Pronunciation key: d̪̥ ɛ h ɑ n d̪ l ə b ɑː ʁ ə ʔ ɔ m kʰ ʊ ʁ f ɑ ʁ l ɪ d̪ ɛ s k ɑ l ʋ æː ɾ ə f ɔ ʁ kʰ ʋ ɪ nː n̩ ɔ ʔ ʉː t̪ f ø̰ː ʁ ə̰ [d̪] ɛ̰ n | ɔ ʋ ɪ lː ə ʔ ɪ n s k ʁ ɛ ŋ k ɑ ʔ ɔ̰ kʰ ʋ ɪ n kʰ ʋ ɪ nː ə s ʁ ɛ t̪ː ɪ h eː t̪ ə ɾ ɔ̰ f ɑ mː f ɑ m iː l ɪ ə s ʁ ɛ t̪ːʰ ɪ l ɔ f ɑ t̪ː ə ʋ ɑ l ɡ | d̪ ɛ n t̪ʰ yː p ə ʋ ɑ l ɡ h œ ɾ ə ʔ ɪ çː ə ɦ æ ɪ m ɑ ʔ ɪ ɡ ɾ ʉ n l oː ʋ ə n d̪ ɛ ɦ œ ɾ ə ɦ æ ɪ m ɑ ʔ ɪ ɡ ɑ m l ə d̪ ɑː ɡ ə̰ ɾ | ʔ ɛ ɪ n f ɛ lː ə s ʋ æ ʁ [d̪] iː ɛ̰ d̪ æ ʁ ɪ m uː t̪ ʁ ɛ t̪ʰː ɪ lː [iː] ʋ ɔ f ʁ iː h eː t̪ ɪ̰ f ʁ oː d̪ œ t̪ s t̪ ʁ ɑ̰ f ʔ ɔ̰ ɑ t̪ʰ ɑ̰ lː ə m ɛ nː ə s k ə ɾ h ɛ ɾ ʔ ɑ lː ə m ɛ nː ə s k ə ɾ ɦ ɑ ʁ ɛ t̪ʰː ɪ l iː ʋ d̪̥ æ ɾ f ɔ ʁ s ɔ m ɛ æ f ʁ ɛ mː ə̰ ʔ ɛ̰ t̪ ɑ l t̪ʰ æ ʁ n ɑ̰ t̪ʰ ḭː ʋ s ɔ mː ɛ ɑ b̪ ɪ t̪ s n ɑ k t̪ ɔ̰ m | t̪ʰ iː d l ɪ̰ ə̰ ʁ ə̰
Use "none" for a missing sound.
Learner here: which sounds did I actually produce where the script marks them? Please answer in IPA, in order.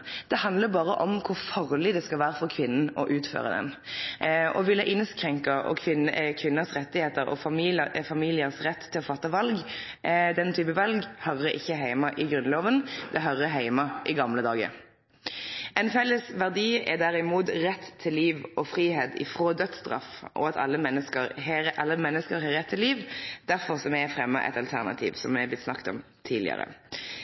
d̪, d̪, iː

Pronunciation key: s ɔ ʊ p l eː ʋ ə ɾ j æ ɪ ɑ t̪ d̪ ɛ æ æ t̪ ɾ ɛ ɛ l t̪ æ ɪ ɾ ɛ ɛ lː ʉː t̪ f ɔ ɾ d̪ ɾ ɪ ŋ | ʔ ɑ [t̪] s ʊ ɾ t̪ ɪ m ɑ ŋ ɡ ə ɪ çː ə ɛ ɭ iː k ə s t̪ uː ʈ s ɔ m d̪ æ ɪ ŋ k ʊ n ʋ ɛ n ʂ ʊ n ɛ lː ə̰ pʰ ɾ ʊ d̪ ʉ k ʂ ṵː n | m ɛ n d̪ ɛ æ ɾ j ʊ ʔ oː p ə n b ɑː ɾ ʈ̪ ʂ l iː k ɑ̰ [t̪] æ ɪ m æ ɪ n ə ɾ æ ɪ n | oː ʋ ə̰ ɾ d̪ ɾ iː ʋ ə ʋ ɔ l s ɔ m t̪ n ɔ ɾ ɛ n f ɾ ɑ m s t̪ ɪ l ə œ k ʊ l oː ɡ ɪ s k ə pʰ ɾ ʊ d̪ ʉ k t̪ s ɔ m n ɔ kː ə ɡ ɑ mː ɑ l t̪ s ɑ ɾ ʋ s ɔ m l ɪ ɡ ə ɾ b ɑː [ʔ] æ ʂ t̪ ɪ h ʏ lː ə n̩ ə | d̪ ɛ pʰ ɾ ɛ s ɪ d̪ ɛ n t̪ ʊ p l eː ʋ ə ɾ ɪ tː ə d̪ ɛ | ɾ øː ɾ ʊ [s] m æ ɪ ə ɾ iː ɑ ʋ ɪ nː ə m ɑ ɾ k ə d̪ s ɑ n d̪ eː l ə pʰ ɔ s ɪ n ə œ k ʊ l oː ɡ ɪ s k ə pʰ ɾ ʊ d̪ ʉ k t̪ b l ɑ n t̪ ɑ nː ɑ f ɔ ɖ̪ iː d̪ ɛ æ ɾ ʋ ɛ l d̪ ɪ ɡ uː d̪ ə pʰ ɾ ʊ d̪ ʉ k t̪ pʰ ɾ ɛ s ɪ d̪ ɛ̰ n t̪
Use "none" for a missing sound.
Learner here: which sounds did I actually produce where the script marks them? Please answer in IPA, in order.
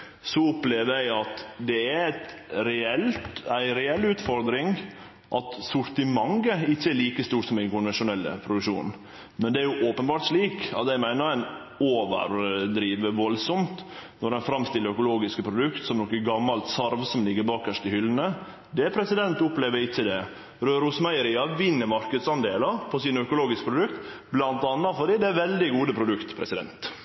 t̪, t̪, k, s

